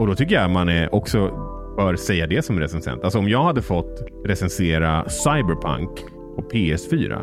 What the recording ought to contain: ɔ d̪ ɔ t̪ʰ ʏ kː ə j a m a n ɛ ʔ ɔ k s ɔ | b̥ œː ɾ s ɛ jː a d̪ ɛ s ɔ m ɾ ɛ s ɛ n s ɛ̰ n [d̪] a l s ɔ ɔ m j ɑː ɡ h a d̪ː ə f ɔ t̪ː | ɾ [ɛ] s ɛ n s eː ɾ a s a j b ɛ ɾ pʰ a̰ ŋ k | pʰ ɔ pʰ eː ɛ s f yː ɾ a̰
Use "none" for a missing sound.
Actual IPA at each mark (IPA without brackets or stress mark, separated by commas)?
t̪, ɛ